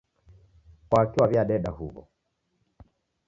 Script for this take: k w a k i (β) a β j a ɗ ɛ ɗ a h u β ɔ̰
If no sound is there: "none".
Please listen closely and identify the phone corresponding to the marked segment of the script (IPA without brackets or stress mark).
w